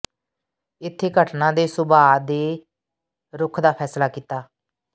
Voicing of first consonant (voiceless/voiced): voiceless